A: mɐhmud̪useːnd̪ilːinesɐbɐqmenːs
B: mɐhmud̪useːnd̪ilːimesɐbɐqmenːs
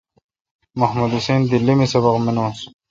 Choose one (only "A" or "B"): B